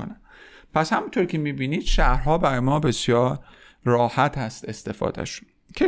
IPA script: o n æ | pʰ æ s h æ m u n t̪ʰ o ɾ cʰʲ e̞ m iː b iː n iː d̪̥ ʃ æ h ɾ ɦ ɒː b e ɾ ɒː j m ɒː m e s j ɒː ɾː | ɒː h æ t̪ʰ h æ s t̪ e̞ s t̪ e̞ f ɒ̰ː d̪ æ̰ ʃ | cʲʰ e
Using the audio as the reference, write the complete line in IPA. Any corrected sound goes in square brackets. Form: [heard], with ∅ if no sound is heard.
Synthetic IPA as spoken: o n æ | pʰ æ s h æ m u n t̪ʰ o ɾ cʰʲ e̞ m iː b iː n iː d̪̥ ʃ æ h ɾ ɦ ɒː b [æ] ɾ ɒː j m ɒː [b] e s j ɒː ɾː | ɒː h æ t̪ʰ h æ s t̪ e̞ s t̪ e̞ f ɒ̰ː d̪ æ̰ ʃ | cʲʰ e